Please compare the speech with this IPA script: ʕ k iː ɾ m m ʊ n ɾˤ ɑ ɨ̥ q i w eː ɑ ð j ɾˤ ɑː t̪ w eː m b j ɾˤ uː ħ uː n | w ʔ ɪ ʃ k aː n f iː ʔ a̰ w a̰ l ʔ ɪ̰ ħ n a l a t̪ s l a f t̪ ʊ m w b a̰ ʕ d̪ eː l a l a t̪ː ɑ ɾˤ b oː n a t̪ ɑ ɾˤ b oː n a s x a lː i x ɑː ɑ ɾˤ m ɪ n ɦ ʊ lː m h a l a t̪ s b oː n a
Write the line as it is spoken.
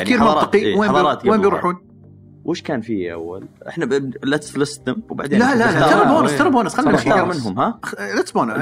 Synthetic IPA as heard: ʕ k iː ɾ m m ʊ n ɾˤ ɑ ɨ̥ q i w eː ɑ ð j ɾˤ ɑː t̪ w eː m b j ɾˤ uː ħ uː n | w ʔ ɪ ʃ k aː n f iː ʔ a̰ wː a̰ l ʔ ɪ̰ ħ n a l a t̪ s l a s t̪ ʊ m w b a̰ ʕ d̪ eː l a l a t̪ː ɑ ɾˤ b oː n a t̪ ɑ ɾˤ b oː n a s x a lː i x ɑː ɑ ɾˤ m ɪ n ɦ ʊ m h a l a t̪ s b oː n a